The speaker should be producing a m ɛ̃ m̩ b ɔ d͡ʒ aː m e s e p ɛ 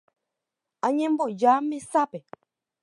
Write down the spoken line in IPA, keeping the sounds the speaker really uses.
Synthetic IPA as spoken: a ɲ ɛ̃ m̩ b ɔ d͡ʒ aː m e s a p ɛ